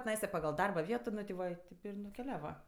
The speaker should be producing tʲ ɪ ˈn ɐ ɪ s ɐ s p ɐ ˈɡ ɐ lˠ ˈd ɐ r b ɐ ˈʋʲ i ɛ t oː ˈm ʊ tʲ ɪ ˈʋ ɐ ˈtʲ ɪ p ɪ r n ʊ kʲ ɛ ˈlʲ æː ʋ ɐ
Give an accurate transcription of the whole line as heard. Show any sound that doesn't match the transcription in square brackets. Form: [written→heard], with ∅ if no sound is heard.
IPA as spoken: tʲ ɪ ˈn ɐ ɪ s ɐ [s→∅] p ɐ ˈɡ ɐ lˠ ˈd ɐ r b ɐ ˈʋʲ i ɛ t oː [ˈm→ˈn] ʊ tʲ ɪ ˈʋ ɐ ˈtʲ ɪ p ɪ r n ʊ kʲ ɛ ˈlʲ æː ʋ ɐ